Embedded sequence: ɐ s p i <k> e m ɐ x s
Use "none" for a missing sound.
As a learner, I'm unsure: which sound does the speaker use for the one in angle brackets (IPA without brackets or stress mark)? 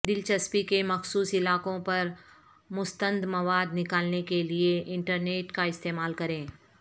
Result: k